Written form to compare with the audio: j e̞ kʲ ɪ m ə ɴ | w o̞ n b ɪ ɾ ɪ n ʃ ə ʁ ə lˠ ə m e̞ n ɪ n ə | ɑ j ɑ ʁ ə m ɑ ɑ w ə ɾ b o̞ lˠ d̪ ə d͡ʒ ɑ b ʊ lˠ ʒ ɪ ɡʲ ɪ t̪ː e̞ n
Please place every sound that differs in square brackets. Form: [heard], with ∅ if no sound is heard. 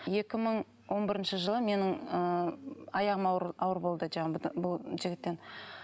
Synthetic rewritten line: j e̞ kʲ ɪ m ə ɴ | w o̞ n b ɪ ɾ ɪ n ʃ ə [ʒ] ə lˠ ə m e̞ n ɪ [ŋ] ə | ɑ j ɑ ʁ ə m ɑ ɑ w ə ɾ b o̞ lˠ d̪ ə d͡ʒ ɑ b ʊ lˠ ʒ ɪ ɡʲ ɪ t̪ː e̞ n